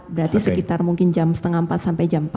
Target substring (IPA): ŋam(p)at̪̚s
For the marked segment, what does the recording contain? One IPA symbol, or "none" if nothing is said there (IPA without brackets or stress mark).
p